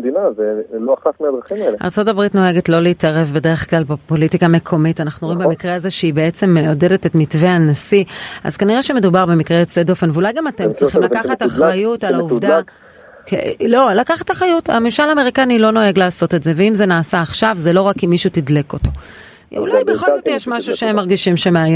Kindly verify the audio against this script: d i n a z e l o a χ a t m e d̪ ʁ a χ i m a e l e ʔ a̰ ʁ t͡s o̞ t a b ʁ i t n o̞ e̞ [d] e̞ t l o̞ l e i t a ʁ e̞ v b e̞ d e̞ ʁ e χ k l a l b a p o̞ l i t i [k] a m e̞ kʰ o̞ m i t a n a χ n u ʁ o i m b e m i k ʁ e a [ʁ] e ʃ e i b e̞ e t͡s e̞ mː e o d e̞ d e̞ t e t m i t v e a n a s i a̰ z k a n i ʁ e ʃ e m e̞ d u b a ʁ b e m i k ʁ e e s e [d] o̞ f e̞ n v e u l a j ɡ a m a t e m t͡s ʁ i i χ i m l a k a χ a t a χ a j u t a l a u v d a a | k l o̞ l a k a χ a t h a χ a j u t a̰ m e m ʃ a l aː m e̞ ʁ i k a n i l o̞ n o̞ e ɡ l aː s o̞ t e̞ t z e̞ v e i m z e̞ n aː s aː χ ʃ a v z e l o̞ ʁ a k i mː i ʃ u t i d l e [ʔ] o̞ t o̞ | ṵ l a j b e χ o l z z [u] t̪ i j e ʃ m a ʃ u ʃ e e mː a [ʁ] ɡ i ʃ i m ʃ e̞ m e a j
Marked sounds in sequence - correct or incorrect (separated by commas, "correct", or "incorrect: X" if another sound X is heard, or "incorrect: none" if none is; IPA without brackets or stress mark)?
incorrect: ɡ, correct, incorrect: z, correct, incorrect: k, incorrect: o, correct